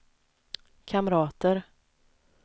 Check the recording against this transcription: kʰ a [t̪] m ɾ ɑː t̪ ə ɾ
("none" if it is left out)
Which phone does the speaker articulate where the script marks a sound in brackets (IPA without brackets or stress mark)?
none